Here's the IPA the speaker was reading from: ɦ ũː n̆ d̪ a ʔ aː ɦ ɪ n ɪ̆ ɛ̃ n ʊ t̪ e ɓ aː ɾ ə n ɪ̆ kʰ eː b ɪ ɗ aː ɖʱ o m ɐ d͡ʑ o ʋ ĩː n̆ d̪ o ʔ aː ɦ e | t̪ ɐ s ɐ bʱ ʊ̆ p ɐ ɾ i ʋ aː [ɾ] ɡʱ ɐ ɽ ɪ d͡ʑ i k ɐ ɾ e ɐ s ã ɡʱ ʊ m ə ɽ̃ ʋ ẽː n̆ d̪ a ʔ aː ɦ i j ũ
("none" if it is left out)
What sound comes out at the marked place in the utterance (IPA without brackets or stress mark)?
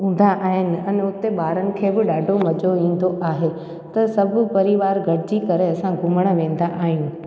ɾ